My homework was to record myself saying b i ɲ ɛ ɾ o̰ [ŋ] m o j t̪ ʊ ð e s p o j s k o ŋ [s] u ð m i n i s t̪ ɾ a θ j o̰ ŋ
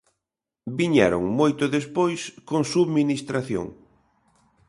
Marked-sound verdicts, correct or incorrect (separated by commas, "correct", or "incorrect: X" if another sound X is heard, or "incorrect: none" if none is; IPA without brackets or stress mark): correct, correct